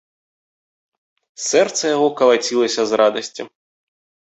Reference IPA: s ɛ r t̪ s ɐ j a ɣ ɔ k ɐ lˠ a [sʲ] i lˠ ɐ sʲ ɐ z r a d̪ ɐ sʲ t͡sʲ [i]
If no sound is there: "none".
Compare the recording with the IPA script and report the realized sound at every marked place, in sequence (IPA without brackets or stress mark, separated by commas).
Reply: t͡sʲ, i